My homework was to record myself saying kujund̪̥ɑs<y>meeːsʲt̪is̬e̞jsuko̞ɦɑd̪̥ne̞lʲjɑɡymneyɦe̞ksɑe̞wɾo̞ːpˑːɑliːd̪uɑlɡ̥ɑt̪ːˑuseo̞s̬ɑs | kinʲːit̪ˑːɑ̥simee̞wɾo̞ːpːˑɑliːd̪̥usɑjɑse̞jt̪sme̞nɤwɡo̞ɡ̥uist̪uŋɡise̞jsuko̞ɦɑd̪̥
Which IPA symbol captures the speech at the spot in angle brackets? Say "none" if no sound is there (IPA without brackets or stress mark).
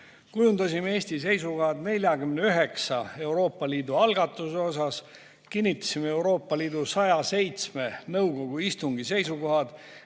i